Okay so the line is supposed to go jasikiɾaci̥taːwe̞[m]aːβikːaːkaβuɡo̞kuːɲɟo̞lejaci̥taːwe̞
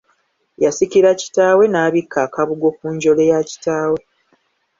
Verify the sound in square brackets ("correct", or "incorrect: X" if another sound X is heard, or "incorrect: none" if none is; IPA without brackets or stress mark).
incorrect: n